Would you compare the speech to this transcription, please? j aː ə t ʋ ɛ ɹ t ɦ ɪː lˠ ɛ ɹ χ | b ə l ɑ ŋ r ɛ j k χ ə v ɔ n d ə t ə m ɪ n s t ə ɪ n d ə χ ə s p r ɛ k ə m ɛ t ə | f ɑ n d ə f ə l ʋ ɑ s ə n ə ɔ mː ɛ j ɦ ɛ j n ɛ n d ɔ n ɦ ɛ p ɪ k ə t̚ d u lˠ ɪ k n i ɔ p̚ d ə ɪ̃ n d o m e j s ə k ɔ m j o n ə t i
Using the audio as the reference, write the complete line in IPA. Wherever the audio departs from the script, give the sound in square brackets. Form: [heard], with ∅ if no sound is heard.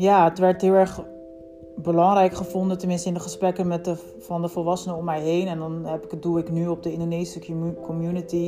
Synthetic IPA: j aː ə t ʋ ɛ ɹ t ɦ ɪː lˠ ɛ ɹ χ | b ə l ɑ ŋ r ɛ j k χ ə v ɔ n d ə t ə m ɪ n s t ə ɪ n d ə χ ə s p r ɛ k ə m ɛ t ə | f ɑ n d ə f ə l ʋ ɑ s ə n ə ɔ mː ɛ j ɦ [e] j n ɛ n d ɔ n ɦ ɛ p ɪ k ə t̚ d u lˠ ɪ k n [y] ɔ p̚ d ə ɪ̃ n d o [n] e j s ə k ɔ m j [u] n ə t i